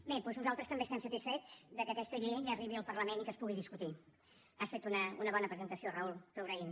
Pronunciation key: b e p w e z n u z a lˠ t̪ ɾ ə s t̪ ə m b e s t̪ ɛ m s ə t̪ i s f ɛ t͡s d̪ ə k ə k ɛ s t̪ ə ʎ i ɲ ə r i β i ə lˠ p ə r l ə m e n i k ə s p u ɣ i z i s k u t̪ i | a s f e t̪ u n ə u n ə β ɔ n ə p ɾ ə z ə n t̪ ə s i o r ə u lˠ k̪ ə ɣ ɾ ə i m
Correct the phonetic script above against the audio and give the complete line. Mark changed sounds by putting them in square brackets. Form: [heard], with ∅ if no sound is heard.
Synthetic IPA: b e p w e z n u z a lˠ t̪ ɾ ə s t̪ ə m b e s t̪ ɛ m s ə t̪ i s f ɛ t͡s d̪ ə k ə k ɛ s t̪ ə ʎ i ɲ ə r i β i ə lˠ p ə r l ə m e n i k ə s p u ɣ i [ð] i s k u t̪ i | a s f e t̪ u n ə u n ə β ɔ n ə p ɾ ə z ə n t̪ ə s i o r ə u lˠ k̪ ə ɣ ɾ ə i m